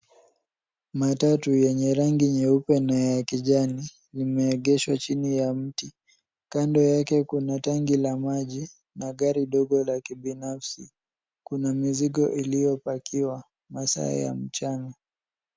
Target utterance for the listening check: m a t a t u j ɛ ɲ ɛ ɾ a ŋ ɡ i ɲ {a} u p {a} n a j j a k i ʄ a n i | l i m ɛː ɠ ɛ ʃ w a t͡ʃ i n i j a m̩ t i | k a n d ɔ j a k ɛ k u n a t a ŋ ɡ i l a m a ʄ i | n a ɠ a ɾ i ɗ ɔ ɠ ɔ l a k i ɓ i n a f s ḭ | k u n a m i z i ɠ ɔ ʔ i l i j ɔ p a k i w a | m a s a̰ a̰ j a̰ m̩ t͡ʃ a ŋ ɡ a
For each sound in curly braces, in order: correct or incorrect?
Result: incorrect: ɛ, incorrect: ɛ

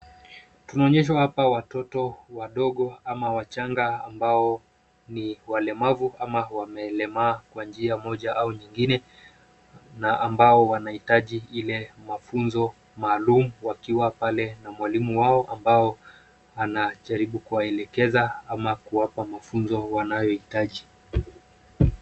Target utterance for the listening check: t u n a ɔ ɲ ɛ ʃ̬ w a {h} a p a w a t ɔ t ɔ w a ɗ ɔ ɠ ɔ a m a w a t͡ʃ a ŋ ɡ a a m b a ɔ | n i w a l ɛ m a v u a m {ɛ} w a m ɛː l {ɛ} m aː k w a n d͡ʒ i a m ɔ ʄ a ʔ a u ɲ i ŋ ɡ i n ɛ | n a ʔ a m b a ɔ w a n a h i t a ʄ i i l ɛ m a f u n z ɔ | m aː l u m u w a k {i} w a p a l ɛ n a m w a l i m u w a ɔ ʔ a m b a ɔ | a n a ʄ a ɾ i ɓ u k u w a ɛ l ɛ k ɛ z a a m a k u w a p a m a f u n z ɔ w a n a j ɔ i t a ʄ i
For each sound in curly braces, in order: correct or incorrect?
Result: correct, incorrect: a, correct, correct

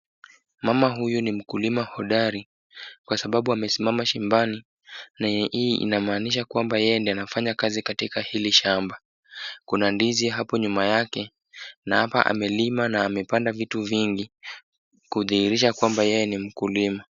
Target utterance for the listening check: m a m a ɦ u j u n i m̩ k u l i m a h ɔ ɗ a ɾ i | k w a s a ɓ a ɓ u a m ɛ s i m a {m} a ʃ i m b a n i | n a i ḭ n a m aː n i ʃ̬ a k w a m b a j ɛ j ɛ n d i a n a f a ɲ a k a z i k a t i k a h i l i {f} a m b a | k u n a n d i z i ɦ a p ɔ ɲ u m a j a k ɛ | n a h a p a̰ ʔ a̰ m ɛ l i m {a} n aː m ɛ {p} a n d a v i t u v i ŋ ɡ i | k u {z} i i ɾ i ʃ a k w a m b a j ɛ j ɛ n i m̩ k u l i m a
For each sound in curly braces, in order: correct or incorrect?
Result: correct, incorrect: ʃ, correct, correct, incorrect: ð

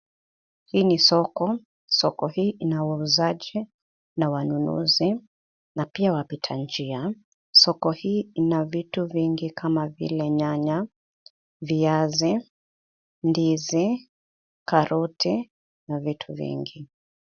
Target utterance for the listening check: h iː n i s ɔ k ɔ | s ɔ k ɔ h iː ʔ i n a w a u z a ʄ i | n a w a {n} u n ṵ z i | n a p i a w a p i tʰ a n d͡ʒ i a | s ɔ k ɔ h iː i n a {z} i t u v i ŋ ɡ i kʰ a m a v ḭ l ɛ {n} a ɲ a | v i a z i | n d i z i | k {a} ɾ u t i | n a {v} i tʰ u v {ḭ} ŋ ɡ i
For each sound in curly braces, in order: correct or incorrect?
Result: correct, incorrect: v, incorrect: ɲ, correct, correct, correct

